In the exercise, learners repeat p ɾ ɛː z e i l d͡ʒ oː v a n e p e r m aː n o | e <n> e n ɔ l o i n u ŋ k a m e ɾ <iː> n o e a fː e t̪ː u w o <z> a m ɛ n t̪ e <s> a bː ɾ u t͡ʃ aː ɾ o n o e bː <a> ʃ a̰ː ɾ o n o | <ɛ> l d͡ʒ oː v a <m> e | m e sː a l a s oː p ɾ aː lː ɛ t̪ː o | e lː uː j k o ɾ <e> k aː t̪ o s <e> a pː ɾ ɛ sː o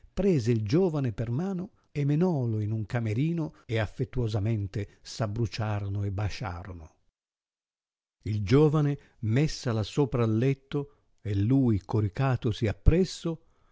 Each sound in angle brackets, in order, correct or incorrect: incorrect: m, correct, correct, correct, correct, incorrect: i, incorrect: n, incorrect: i, incorrect: i

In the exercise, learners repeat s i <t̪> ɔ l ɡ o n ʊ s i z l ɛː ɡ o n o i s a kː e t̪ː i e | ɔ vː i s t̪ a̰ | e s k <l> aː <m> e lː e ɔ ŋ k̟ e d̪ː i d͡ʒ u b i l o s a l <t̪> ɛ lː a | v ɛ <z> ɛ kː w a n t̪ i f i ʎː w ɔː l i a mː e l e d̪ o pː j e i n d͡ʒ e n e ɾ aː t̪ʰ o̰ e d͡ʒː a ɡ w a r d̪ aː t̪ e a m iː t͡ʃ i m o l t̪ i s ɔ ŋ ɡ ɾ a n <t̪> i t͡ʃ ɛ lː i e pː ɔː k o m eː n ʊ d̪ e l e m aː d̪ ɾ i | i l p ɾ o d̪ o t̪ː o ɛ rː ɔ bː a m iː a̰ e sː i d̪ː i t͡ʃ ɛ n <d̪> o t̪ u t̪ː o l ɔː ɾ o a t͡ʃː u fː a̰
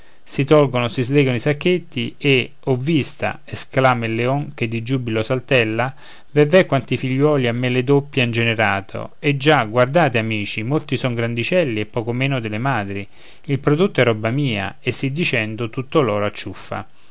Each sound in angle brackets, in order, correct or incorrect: correct, correct, correct, correct, incorrect: v, incorrect: d̪, correct

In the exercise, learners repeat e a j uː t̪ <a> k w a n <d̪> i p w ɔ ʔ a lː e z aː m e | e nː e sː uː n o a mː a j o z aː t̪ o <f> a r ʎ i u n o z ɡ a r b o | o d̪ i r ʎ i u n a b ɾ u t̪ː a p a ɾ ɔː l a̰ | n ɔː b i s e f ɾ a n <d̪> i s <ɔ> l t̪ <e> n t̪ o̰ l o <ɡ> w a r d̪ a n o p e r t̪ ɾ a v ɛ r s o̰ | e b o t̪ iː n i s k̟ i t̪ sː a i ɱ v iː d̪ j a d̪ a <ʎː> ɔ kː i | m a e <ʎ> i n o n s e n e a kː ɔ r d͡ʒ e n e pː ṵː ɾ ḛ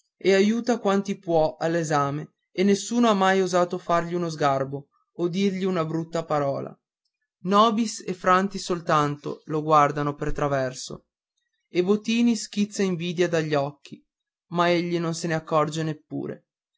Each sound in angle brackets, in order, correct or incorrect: correct, incorrect: t̪, correct, incorrect: t̪, incorrect: o, incorrect: a, correct, correct, incorrect: ʎː

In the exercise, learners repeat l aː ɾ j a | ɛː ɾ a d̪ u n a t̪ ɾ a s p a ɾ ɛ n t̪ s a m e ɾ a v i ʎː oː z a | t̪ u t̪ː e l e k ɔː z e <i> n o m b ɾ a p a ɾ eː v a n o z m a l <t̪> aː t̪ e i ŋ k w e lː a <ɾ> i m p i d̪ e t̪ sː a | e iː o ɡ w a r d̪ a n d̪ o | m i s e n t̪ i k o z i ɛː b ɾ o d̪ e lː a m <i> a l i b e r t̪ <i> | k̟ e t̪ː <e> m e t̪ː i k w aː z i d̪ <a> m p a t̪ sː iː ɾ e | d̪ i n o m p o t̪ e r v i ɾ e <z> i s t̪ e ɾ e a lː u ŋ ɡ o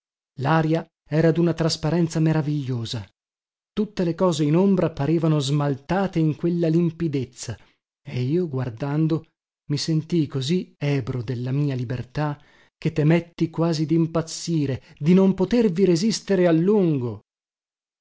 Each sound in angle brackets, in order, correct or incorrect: correct, correct, incorrect: l, incorrect: iː, incorrect: a, correct, incorrect: i, correct

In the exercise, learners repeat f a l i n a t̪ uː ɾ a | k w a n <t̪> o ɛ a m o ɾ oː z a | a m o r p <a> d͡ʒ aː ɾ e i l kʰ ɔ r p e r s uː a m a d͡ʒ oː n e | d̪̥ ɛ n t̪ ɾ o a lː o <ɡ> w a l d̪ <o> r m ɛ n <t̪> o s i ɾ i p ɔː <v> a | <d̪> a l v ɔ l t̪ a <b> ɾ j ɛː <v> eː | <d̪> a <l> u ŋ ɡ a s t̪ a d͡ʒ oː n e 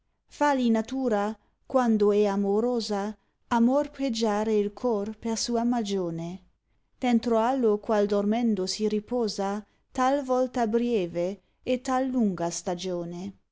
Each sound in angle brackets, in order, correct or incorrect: incorrect: d̪, incorrect: e, incorrect: k, correct, incorrect: d̪, incorrect: z, incorrect: t̪, correct, correct, incorrect: t̪, incorrect: lː

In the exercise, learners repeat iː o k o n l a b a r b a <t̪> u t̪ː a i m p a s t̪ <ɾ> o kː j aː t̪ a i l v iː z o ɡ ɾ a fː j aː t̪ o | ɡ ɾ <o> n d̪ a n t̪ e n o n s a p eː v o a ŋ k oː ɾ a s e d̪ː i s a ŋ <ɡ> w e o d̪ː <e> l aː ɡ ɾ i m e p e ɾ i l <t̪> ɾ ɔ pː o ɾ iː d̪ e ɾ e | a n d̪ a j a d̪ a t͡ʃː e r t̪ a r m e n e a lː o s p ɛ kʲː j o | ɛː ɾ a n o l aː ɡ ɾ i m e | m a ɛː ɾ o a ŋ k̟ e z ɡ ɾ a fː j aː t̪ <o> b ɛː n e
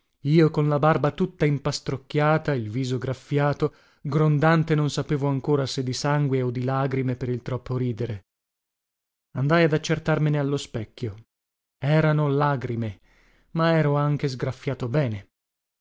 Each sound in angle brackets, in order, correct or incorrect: correct, correct, correct, correct, incorrect: i, correct, correct

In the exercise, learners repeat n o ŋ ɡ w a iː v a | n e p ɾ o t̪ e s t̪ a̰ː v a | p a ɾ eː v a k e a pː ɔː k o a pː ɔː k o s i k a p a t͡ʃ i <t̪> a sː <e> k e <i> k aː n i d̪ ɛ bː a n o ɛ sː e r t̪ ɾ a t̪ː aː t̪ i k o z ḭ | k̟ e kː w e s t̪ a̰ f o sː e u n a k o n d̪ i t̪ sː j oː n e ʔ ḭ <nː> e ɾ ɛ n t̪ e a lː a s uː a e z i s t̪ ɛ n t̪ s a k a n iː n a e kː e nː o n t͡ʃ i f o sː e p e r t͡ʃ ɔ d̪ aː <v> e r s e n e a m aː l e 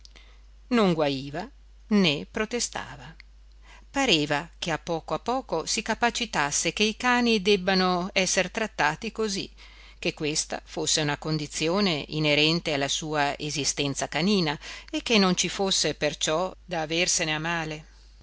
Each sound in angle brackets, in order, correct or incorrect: correct, correct, correct, incorrect: n, correct

